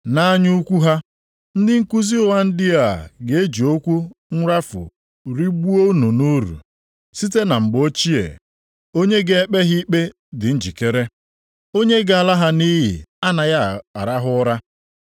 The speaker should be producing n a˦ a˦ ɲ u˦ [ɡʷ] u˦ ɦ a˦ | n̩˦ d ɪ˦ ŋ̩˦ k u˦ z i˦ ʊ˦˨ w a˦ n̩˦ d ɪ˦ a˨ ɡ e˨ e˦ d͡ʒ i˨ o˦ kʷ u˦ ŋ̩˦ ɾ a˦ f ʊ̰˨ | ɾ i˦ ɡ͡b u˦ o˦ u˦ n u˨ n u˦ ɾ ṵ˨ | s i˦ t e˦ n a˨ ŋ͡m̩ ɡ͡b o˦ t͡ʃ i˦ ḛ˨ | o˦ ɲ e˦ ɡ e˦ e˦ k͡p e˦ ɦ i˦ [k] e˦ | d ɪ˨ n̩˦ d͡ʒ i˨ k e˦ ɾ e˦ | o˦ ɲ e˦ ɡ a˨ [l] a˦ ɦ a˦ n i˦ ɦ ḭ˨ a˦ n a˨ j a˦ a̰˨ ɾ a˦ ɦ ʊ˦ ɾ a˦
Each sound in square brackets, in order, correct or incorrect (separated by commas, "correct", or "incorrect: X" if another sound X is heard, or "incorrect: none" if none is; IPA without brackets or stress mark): incorrect: kʷ, incorrect: k͡p, correct